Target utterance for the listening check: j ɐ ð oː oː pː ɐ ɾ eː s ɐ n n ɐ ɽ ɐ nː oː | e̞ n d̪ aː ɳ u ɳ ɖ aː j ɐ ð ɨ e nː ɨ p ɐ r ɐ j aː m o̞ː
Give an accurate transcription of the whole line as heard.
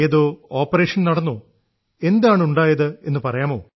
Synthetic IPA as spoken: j ɐ ð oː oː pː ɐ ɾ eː ʂ ɐ n n ɐ ɽ ɐ nː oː | e̞ n d̪ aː ɳ u ɳ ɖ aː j ɐ ð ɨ e nː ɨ p ɐ r ɐ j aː m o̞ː